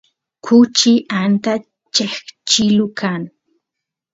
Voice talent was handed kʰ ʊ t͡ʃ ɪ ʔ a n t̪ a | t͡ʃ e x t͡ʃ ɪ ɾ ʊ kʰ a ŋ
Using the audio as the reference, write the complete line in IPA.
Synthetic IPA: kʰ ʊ t͡ʃ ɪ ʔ a n t̪ a | t͡ʃ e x t͡ʃ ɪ l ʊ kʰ a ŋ